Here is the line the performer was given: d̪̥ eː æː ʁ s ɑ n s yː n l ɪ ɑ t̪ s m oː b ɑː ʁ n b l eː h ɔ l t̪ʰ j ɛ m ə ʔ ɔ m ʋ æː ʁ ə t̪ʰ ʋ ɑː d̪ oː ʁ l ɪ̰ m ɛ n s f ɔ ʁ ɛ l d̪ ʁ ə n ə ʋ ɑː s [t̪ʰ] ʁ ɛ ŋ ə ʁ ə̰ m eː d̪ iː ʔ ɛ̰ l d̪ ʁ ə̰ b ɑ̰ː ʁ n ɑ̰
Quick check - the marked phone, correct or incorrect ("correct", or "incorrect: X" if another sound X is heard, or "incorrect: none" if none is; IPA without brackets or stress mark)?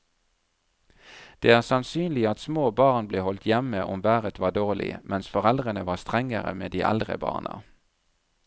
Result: incorrect: t̪